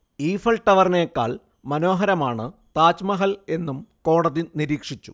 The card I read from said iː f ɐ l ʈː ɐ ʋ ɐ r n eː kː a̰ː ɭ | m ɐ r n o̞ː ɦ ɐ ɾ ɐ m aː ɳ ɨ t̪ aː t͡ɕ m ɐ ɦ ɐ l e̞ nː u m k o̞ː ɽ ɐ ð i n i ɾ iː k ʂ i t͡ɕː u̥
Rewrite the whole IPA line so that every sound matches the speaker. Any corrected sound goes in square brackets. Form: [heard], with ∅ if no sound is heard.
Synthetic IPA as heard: iː f ɐ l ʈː ɐ ʋ ɐ r n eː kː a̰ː ɭ | m ɐ [∅] n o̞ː ɦ ɐ ɾ ɐ m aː ɳ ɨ t̪ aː t͡ɕ m ɐ ɦ ɐ l e̞ nː u m k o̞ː ɽ ɐ ð i n i ɾ iː k ʂ i t͡ɕː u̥